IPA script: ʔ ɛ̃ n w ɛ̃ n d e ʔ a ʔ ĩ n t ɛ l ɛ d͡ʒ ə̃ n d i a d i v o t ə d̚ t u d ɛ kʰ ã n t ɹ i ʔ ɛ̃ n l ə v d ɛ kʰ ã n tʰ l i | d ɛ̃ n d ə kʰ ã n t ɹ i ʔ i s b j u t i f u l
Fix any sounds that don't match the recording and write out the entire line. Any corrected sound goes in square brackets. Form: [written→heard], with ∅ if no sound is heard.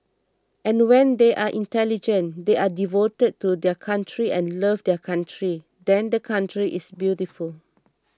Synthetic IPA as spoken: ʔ ɛ̃ n w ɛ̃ n d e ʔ a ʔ ĩ n t ɛ l [ɛ→i] d͡ʒ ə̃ n d [i→e] a d i v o t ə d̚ t u d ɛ kʰ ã n t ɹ i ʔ ɛ̃ n l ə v d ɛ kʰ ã n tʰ [l→ɹ] i | d ɛ̃ n d ə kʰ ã n t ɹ i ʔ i s b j u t i f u l